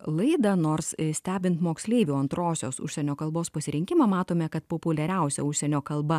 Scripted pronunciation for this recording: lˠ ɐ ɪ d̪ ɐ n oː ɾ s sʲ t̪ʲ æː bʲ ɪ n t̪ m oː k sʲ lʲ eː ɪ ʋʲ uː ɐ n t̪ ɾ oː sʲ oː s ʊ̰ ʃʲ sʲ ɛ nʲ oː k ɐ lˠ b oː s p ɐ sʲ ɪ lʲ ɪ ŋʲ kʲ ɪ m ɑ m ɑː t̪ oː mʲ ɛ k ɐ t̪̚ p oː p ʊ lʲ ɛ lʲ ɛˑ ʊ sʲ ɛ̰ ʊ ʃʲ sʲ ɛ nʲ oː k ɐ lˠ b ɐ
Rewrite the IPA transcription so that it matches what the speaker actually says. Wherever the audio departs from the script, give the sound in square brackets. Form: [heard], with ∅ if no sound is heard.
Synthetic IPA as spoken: lˠ ɐ ɪ d̪ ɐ n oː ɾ s sʲ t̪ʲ æː bʲ ɪ n t̪ m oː k sʲ lʲ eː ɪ ʋʲ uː ɐ n t̪ ɾ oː sʲ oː s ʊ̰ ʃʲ sʲ ɛ nʲ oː k ɐ lˠ b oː s p ɐ sʲ ɪ [ɾʲ] ɪ ŋʲ kʲ ɪ m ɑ m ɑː t̪ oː mʲ ɛ k ɐ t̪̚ p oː p ʊ lʲ ɛ [ɾʲ] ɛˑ ʊ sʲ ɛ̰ ʊ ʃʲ sʲ ɛ nʲ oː k ɐ lˠ b ɐ